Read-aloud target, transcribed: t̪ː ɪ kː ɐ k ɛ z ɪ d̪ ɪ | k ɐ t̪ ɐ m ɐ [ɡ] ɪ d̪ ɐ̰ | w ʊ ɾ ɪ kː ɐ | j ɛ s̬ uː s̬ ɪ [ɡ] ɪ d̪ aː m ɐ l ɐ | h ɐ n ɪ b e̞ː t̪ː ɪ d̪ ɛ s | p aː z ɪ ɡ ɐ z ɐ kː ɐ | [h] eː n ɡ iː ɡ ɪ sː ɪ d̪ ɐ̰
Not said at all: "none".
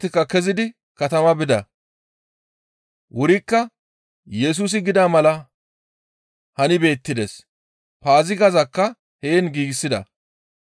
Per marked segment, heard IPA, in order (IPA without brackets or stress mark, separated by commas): b, ɡ, h